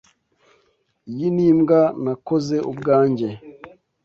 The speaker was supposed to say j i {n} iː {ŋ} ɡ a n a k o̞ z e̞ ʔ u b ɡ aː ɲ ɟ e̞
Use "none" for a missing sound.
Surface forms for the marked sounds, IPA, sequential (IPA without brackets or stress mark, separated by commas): n, m